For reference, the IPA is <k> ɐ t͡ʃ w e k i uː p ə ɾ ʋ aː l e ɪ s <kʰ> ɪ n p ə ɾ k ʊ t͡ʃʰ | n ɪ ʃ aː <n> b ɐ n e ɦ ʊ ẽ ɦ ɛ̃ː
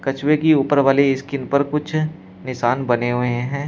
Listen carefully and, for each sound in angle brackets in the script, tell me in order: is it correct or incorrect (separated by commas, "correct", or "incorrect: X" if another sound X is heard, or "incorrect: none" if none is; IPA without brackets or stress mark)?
correct, incorrect: k, correct